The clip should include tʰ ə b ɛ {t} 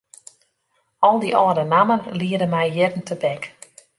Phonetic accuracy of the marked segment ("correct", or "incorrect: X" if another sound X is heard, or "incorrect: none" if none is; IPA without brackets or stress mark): incorrect: k